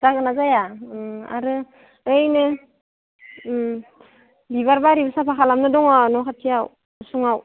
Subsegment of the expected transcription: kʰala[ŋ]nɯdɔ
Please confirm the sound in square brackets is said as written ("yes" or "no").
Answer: no